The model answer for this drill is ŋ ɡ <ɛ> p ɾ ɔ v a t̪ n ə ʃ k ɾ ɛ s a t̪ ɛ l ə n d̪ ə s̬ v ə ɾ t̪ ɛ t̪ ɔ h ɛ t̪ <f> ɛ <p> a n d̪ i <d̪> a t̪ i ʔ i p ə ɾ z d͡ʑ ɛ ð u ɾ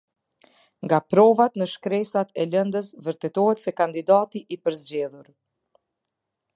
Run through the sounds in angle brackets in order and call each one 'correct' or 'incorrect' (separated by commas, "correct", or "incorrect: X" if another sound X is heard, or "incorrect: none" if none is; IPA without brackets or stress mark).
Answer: incorrect: a, incorrect: s, incorrect: k, correct